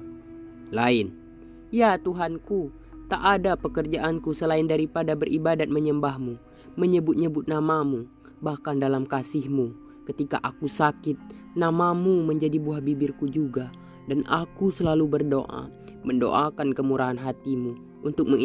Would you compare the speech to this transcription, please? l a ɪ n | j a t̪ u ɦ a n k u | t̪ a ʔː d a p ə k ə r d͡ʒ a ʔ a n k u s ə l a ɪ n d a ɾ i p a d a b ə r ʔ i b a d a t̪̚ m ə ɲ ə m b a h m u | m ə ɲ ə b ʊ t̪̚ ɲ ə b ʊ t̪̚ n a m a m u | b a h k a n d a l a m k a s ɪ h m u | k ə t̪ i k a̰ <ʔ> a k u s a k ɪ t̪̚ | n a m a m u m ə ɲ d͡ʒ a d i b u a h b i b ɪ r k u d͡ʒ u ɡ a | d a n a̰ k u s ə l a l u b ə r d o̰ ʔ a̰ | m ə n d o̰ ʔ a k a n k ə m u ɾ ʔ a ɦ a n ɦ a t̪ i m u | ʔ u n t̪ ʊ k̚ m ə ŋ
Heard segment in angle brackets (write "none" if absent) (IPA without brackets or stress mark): ʔ